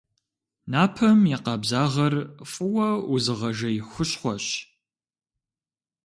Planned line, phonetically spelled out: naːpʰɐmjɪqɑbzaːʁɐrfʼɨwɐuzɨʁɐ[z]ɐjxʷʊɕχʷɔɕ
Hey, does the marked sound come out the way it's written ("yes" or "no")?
no